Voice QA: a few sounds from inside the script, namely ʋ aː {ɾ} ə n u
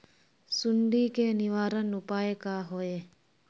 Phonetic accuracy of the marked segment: correct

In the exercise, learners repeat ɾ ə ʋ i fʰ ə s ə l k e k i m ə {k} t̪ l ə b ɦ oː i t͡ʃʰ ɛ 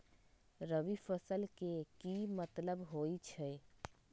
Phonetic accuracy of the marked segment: incorrect: none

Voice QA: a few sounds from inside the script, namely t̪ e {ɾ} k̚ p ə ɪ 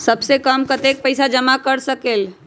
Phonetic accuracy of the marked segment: incorrect: none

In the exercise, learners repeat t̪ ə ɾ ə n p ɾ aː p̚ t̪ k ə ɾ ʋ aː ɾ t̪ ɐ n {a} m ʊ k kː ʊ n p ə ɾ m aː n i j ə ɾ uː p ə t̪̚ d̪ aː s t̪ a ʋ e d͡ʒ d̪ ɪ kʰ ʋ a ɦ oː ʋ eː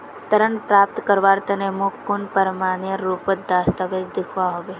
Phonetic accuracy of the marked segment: incorrect: e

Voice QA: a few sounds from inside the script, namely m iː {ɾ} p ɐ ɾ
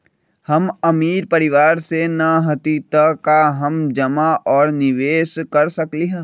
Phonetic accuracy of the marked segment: correct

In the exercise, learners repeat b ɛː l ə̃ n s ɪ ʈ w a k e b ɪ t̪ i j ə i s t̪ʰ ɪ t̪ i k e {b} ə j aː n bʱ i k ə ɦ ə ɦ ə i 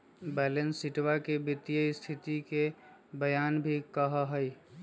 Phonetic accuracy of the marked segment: correct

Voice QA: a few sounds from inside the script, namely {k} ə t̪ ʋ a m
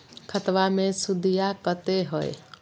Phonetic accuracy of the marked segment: incorrect: kʰ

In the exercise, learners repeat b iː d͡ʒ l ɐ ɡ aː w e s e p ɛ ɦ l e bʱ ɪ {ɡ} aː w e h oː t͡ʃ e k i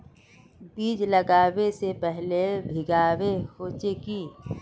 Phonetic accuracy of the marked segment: correct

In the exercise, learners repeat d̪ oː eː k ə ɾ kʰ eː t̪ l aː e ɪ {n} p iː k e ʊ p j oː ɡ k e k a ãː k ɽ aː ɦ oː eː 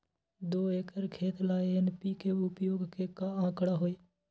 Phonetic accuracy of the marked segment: correct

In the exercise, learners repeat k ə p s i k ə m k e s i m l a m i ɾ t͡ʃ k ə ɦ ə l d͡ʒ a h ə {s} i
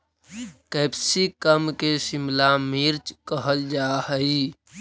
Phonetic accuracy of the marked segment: incorrect: none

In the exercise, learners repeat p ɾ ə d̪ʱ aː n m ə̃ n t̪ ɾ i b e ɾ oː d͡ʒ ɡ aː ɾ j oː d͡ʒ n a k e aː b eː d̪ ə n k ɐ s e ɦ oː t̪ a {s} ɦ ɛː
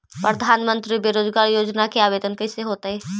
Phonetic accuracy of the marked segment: incorrect: none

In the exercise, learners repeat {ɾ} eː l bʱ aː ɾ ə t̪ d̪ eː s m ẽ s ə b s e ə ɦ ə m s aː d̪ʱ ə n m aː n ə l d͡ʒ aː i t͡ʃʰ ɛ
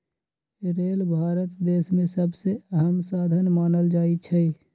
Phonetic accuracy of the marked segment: correct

